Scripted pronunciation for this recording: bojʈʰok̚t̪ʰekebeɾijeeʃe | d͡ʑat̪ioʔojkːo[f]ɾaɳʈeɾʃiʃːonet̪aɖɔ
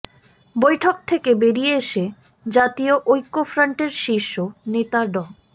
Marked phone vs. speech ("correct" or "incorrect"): correct